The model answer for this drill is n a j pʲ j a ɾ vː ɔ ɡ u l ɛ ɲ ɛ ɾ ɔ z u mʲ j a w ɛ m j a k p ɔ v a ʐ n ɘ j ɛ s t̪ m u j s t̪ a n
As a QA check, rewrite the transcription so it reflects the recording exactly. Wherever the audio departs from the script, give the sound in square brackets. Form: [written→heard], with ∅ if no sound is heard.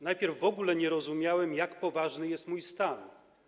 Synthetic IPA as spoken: n a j pʲ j [a→ɛ] ɾ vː ɔ ɡ u l ɛ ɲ ɛ ɾ ɔ z u mʲ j a w ɛ m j a k p ɔ v a ʐ n ɘ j ɛ s t̪ m u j s t̪ a n